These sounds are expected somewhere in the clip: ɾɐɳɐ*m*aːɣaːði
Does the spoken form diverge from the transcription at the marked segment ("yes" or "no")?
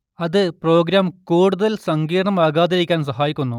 no